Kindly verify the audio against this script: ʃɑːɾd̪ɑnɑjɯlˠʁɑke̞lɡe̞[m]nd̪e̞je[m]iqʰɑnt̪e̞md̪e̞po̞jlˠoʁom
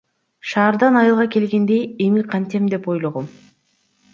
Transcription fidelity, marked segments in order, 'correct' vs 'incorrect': incorrect: none, correct

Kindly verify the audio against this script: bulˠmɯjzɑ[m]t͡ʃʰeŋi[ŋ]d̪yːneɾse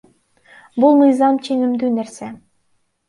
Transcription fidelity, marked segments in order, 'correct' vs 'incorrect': correct, incorrect: m

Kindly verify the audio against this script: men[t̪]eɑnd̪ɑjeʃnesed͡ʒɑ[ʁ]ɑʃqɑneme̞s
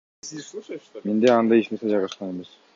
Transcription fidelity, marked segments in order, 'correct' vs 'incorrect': incorrect: d̪, correct

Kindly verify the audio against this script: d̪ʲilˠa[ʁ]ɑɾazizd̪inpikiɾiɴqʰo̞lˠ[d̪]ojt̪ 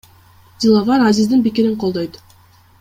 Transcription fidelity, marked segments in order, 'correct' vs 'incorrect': incorrect: v, correct

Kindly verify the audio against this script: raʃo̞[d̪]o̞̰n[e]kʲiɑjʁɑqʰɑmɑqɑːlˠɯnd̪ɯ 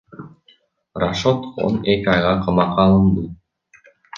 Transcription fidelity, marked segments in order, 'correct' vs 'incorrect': incorrect: t̪, correct

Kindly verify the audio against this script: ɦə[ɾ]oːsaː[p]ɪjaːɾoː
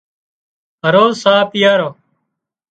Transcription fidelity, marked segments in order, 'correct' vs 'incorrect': correct, correct

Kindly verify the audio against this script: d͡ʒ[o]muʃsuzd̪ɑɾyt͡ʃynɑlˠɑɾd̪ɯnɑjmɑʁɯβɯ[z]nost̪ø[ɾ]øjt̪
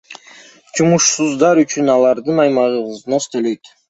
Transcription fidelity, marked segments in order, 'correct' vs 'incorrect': incorrect: u, correct, incorrect: l

